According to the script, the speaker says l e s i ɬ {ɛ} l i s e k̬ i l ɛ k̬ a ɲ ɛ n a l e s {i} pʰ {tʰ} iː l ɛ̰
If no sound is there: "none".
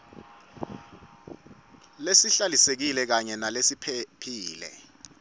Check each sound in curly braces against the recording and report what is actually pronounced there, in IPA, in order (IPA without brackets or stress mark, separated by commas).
a, i, pʰ